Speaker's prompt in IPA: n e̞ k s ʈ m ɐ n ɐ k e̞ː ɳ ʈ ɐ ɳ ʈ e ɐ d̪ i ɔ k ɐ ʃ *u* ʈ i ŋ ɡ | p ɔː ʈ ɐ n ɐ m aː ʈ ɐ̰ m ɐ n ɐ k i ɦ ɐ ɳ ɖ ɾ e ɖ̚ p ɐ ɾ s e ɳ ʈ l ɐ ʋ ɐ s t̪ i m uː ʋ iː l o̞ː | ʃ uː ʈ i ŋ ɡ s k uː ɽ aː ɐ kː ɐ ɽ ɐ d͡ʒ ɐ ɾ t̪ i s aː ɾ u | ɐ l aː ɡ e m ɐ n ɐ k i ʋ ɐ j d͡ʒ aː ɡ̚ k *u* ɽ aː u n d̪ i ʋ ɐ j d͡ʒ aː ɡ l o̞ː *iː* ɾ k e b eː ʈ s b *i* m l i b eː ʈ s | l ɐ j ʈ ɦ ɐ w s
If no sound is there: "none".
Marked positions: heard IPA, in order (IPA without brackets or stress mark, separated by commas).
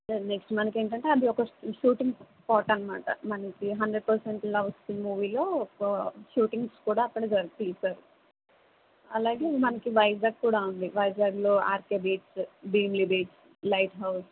uː, uː, aː, iː